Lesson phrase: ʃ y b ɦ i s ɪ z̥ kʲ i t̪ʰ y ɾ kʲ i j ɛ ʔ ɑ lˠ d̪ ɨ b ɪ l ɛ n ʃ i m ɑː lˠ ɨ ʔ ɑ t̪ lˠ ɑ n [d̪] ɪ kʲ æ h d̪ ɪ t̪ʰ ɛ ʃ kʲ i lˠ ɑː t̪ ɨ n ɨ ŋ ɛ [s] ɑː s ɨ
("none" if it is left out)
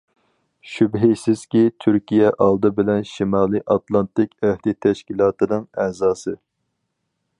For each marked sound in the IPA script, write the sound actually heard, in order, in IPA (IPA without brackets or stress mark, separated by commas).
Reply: t̪, z